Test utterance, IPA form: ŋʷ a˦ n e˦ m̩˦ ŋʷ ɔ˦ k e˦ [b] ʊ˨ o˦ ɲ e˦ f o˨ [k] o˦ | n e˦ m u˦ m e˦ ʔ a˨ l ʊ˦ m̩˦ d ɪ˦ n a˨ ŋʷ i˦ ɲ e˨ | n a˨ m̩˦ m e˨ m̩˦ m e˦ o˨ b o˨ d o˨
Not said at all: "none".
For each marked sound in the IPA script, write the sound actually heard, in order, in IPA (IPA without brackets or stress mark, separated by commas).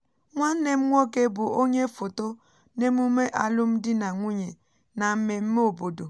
b, t